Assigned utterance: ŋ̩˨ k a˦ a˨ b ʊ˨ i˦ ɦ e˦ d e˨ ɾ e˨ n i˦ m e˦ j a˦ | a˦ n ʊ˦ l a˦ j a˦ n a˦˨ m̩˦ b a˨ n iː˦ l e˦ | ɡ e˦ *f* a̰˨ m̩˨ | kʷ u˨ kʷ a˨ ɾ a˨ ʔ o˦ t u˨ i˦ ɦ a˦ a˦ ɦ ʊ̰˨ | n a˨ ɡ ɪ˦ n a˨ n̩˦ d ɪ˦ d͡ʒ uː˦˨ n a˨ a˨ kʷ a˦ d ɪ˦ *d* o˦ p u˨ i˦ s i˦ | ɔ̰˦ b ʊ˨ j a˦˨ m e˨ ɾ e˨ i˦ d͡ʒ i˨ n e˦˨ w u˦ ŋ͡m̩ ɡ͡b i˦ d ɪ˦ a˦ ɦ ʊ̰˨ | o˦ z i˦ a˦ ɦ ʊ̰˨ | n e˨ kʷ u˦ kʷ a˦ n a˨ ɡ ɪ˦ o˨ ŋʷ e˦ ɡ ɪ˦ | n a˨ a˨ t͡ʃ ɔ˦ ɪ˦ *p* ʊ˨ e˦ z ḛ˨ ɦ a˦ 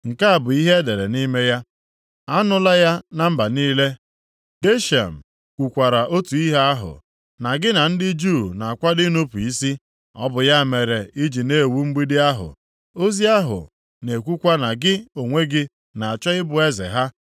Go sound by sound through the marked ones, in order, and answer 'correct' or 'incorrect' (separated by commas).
incorrect, incorrect, incorrect